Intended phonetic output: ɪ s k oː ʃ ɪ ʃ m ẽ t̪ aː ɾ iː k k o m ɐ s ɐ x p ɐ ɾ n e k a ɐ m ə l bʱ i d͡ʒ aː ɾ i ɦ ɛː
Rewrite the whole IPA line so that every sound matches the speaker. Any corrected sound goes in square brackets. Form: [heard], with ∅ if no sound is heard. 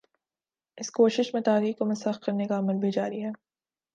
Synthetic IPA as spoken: ɪ s k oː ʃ ɪ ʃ m ẽ t̪ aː ɾ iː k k o m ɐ s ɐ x [k] ɐ ɾ n e k a ɐ m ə l bʱ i d͡ʒ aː ɾ i ɦ ɛː